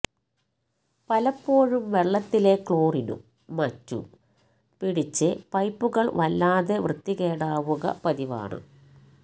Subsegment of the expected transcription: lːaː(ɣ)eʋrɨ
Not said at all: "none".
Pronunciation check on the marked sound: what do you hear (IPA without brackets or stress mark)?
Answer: ð